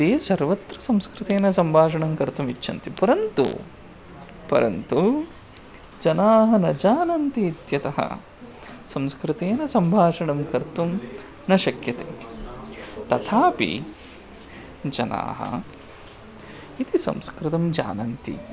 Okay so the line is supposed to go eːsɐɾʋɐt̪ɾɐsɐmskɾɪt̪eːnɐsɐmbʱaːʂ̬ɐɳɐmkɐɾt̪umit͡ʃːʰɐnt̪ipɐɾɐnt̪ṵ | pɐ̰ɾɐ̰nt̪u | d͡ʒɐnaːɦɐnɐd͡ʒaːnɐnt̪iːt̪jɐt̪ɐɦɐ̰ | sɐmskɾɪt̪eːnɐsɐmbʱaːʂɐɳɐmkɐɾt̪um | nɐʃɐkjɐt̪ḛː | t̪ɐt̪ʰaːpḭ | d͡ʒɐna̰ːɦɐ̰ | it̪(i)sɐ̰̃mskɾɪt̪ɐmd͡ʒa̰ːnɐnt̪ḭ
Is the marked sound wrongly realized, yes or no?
no